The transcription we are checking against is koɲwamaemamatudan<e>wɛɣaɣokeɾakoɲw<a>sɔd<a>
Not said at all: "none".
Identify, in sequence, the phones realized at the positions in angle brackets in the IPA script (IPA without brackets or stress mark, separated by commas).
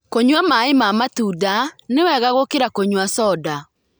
e, a, a